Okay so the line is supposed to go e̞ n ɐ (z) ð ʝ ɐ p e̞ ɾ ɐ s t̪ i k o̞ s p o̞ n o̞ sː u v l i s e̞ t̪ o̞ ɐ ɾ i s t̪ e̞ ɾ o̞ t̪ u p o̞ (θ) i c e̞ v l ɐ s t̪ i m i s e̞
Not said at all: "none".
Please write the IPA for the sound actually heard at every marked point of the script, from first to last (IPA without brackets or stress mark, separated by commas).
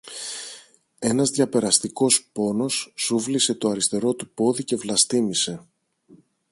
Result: z, ð